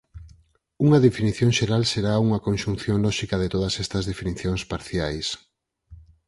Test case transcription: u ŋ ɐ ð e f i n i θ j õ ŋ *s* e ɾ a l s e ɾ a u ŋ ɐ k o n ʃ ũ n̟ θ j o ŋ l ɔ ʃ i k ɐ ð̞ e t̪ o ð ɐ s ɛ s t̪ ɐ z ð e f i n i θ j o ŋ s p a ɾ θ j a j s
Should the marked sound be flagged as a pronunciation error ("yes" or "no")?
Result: yes